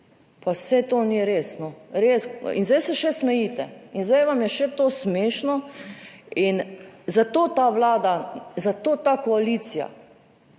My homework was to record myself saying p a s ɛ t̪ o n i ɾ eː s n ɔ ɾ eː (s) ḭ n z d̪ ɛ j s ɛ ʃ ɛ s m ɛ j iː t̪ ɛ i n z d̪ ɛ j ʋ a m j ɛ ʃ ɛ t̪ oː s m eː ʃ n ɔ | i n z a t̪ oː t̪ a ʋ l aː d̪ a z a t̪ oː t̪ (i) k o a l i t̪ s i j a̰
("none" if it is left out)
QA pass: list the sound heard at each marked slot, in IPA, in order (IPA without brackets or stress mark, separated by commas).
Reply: s, a